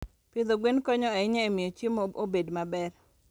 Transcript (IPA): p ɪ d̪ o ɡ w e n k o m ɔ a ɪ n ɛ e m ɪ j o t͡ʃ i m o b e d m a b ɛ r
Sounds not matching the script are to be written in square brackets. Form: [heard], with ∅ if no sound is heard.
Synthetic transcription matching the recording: p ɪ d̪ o ɡ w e n k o [ɲ] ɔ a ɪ [ɲ] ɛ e m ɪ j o t͡ʃ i m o b e d m a b ɛ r